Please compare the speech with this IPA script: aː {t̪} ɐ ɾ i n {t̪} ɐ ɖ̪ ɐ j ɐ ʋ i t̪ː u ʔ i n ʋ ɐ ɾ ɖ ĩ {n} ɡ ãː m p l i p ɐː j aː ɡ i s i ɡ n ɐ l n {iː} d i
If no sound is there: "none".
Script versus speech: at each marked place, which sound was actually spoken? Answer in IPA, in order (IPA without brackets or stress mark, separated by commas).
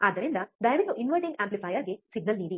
d̪, d̪, ŋ, iː